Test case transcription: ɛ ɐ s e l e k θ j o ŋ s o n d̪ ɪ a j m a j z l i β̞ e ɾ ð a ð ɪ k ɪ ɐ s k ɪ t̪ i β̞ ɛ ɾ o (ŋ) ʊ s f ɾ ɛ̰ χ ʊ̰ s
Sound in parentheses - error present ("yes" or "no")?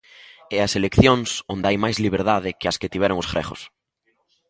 no